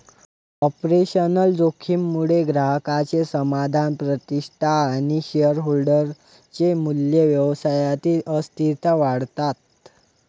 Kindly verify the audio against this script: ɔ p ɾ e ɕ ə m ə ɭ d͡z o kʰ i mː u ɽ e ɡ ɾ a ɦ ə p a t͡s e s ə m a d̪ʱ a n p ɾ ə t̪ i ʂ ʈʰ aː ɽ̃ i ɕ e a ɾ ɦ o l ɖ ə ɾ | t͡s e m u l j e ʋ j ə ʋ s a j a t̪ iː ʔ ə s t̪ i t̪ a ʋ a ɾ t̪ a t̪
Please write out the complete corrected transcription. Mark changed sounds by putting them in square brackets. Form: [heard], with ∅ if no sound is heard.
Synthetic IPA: ɔ p ɾ e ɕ ə [n] ə [l] d͡z o kʰ i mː u ɽ e ɡ ɾ a ɦ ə [k] a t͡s e s ə m a d̪ʱ a n p ɾ ə t̪ i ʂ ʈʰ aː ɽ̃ i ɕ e [ə] ɾ ɦ o l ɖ ə ɾ | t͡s e m u l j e ʋ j ə ʋ s a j a t̪ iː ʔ ə s t̪ i t̪ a ʋ a [ɽ] t̪ a t̪

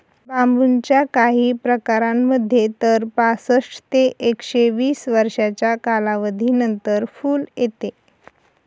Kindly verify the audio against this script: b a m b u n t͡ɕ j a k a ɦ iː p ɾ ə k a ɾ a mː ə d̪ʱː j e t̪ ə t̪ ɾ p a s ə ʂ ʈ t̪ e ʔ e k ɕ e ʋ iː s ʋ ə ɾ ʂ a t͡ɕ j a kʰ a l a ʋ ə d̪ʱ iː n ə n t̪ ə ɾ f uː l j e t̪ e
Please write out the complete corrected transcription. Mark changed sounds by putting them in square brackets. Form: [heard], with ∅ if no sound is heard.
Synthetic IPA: b a m b u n t͡ɕ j a k a ɦ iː p ɾ ə k a ɾ a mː ə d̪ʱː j e t̪ ə [∅] ɾ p a s ə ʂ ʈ t̪ e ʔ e k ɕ e ʋ iː s ʋ ə ɾ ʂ a t͡ɕ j a [k] a l a ʋ ə d̪ʱ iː n ə n t̪ ə ɾ f uː l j e t̪ e

